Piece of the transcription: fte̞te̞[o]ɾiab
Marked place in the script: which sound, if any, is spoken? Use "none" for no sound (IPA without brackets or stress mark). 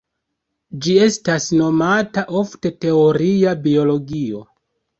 o